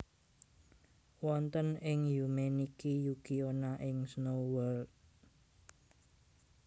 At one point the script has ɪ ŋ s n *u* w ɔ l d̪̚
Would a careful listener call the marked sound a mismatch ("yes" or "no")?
yes